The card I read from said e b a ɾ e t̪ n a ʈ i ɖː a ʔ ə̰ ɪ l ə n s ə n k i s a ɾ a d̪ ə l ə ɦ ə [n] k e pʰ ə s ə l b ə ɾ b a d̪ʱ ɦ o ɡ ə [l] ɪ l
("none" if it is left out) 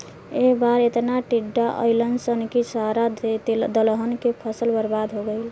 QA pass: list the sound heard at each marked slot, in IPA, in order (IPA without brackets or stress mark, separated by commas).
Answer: n, none